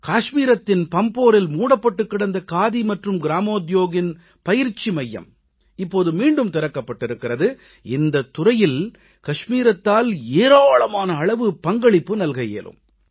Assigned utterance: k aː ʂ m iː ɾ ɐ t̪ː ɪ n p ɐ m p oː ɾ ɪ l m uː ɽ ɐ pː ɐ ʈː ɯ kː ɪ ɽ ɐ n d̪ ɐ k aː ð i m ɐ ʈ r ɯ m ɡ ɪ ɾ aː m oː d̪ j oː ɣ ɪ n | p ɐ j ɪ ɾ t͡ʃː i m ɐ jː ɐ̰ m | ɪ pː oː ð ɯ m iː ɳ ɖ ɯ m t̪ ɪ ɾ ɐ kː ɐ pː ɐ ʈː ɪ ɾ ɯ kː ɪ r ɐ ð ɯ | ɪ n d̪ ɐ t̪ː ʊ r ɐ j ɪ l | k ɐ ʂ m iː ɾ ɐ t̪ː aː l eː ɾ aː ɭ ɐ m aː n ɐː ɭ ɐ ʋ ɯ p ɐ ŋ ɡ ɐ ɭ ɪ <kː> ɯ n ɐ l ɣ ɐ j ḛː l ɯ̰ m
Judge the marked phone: incorrect: pː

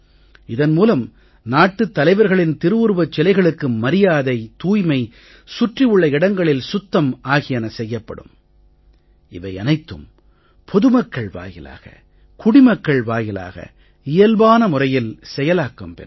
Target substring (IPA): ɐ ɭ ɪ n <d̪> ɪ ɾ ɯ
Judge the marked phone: incorrect: t̪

